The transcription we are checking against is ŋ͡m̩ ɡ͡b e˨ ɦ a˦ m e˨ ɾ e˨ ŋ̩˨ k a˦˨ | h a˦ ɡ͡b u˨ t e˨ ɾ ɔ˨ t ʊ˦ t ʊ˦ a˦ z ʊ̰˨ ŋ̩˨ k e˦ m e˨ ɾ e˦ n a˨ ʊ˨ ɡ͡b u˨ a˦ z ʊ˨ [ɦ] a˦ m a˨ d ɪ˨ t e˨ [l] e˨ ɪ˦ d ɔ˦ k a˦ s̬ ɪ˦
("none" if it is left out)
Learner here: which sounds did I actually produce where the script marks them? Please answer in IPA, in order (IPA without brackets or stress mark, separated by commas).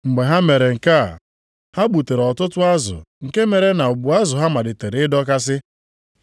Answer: ɦ, ɾ